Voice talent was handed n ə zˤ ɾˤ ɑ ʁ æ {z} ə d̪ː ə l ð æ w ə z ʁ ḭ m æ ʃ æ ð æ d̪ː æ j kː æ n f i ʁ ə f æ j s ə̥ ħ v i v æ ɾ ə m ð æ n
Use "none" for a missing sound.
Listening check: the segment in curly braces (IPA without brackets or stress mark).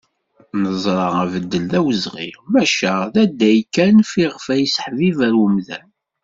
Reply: v